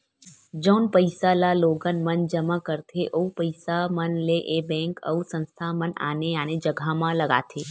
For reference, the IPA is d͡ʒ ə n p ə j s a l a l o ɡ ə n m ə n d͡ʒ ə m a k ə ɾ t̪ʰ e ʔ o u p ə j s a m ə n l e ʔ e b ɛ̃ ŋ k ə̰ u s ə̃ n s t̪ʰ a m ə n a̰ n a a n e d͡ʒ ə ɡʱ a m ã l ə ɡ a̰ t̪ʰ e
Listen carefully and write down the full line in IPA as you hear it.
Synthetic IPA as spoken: d͡ʒ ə n p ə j s a l a l o ɡ ə n m ə n d͡ʒ ə m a k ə ɾ t̪ʰ e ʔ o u p ə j s a m ə n l e ʔ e b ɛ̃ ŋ k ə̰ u s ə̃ n s t̪ʰ a m ə n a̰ n e a n e d͡ʒ ə ɡʱ a m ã l ə ɡ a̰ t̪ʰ e